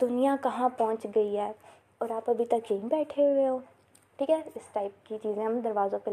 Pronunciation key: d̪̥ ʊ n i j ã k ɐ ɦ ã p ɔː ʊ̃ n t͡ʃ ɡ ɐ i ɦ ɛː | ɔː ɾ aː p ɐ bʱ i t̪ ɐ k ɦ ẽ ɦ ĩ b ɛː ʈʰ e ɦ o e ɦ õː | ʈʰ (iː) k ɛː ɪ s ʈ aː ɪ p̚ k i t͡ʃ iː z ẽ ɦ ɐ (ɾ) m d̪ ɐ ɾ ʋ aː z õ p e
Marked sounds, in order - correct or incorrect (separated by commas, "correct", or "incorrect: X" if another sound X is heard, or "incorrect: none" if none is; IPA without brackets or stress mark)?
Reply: correct, incorrect: none